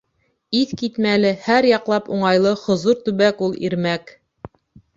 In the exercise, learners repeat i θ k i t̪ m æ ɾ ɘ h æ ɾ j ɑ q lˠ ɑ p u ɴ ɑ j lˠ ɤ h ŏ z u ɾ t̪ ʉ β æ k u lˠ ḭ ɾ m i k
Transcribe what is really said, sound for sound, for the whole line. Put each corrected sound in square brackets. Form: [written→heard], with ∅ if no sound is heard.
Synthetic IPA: i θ k i t̪ m æ [ɾ→l] ɘ h æ ɾ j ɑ q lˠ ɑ p u ɴ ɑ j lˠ ɤ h ŏ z u ɾ t̪ ʉ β æ k u lˠ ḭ ɾ m [i→æ] k